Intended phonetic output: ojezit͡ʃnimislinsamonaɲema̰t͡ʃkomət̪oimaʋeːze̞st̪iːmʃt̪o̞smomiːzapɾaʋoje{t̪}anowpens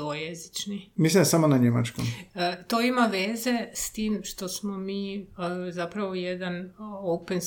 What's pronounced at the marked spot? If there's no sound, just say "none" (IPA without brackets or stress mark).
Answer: d̪